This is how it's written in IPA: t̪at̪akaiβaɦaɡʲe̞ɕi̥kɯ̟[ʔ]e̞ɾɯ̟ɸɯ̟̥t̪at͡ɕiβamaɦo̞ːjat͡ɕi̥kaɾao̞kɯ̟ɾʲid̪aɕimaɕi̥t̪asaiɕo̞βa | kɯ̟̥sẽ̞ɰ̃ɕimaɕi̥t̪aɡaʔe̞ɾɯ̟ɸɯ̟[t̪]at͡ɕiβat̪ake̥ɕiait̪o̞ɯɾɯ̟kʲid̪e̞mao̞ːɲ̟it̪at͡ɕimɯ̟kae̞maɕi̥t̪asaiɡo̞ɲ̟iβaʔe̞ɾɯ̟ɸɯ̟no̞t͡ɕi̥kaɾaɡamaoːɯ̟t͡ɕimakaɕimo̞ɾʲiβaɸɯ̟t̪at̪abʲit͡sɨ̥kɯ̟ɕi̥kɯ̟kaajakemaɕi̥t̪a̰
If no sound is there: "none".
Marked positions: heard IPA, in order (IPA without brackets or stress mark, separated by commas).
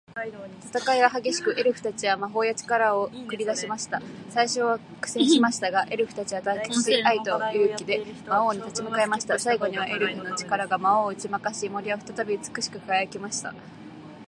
ʔ, t̪